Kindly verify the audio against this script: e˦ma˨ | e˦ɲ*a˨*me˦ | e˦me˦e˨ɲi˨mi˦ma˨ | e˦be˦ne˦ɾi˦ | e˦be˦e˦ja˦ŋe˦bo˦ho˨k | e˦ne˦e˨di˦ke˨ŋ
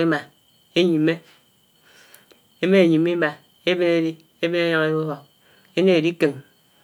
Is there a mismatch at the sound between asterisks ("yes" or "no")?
yes